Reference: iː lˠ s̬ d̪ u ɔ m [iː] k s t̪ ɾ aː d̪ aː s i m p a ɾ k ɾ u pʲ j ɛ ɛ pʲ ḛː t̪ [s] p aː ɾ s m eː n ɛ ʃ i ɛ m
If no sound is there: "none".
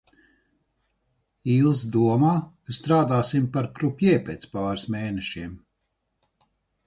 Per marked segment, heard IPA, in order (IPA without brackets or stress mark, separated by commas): aː, s